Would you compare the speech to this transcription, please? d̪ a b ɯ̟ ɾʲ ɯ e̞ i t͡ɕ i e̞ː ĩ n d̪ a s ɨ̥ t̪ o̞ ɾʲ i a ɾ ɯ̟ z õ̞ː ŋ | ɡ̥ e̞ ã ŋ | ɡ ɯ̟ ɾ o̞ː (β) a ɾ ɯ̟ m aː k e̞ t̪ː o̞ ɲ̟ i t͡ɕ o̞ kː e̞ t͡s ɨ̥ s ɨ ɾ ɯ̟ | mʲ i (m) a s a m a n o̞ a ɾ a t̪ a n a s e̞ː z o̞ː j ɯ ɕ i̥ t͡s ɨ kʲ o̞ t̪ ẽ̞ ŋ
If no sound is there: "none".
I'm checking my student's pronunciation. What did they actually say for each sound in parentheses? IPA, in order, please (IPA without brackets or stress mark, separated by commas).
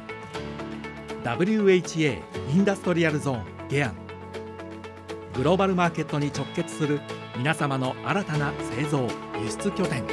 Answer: b, n